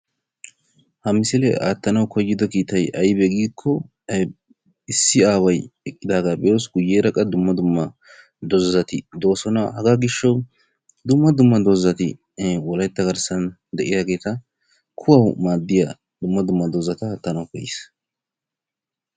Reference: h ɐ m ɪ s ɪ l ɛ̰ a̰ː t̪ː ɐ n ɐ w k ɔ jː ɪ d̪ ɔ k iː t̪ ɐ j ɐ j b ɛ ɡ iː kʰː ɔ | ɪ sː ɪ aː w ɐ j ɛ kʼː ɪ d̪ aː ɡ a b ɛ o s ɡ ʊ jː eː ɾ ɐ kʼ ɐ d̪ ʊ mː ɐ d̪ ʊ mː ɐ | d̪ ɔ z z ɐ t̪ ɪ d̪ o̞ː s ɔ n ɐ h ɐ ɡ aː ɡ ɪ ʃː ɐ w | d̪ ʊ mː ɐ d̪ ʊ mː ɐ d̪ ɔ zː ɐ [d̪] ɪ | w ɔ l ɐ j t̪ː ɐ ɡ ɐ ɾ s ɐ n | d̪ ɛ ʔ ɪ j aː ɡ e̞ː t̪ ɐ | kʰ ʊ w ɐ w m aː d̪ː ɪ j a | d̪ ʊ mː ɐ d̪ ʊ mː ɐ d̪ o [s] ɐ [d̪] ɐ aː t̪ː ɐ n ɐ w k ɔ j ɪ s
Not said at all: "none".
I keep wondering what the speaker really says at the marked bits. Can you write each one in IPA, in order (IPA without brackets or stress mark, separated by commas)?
t̪, z, t̪